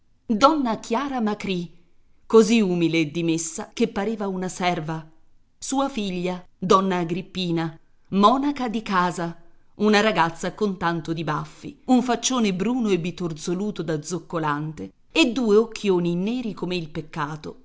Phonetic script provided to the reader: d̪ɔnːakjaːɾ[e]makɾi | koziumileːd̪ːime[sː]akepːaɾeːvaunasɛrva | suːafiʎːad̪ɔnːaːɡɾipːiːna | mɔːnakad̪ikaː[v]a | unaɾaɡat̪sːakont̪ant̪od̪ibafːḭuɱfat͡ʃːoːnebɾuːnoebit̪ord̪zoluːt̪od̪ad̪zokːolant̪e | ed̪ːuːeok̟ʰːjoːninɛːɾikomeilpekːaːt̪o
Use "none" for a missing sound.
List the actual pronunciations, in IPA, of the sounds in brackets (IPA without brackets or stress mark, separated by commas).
a, sː, z